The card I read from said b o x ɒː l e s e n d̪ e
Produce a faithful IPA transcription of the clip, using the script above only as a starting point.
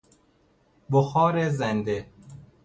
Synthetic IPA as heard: b o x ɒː ɾ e z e n d̪ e

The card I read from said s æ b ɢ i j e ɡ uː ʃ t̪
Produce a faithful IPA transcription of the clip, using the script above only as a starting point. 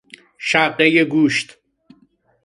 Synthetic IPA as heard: ʃ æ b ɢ e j e ɡ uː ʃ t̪

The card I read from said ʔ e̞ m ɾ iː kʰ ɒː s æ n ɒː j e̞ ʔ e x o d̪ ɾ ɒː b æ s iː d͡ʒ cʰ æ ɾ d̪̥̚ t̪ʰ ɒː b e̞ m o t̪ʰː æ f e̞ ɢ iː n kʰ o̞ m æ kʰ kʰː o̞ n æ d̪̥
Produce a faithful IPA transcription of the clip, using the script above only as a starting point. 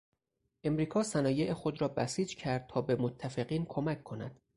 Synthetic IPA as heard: ʔ e̞ m ɾ iː kʰ ɒː s æ n ɒː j e̞ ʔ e x o d̪ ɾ ɒː b æ s iː d͡ʒ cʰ æ ɾ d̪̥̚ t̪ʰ ɒː b e̞ m o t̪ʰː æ f e̞ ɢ iː n kʰ o̞ m æ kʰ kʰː o̞ n æ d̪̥

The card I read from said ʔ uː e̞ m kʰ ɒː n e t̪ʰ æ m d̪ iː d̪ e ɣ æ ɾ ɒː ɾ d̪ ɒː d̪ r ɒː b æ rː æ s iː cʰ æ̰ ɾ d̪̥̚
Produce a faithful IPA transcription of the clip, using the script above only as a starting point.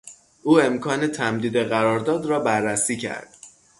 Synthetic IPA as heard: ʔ uː e̞ m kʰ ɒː n e t̪ʰ æ m d̪ iː d̪ e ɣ æ ɾ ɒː ɾ d̪ ɒː d̪ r ɒː b æ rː æ s iː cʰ æ̰ ɾ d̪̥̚

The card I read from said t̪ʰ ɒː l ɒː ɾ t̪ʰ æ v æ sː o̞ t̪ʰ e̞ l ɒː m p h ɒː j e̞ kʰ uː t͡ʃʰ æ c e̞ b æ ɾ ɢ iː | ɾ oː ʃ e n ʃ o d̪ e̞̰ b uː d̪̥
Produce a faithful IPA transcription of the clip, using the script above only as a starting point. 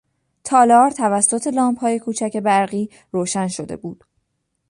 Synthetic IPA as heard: t̪ʰ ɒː l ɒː ɾ t̪ʰ æ v æ sː o̞ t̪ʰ e̞ l ɒː m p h ɒː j e̞ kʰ uː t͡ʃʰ æ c e̞ b æ ɾ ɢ iː | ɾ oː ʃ æ n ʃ o d̪ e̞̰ b uː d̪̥

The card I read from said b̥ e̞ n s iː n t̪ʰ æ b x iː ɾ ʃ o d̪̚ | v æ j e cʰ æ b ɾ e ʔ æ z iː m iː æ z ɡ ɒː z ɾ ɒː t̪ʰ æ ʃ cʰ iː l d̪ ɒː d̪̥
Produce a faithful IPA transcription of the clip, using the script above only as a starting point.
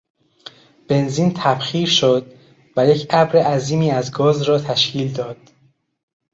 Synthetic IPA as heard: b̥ e̞ n z iː n t̪ʰ æ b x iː ɾ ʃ o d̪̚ | v æ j e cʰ æ b ɾ e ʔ æ z iː m iː æ z ɡ ɒː z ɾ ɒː t̪ʰ æ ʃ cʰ iː l d̪ ɒː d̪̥

